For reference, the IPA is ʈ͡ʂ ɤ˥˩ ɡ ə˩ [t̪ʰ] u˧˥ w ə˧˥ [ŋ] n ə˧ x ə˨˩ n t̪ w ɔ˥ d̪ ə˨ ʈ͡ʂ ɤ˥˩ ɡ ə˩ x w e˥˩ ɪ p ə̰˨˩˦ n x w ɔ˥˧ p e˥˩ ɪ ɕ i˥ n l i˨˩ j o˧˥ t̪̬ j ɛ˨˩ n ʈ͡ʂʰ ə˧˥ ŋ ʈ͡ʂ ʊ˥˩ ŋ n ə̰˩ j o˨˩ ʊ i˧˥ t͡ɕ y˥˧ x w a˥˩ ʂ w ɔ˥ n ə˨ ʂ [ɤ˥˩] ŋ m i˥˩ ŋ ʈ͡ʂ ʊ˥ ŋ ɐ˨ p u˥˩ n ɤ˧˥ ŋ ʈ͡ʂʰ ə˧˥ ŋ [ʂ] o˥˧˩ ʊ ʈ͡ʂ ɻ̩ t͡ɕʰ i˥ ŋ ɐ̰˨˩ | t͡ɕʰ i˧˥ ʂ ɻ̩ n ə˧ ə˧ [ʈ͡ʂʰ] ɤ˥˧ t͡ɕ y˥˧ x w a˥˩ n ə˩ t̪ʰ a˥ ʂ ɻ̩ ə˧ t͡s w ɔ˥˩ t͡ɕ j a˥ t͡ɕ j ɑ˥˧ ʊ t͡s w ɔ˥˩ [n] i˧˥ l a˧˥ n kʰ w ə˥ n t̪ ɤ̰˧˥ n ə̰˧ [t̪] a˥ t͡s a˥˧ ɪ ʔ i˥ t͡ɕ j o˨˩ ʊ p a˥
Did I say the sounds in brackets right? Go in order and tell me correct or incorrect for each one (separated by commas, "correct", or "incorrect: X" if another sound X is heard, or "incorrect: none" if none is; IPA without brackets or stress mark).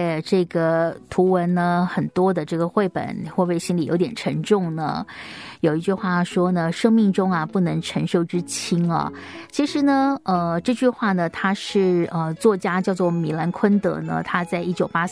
correct, incorrect: n, incorrect: ɤ˥, correct, incorrect: ʈ͡ʂ, incorrect: m, incorrect: t̪ʰ